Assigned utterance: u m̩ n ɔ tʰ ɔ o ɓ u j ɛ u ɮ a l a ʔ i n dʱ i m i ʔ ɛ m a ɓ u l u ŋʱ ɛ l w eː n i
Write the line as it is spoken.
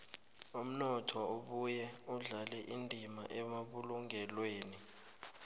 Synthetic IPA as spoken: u m̩ n ɔ tʰ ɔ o ɓ u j ɛ u ɮ a l ɛ ʔ i n dʱ i m a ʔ ɛ m a ɓ u l u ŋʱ ɛ l w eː n i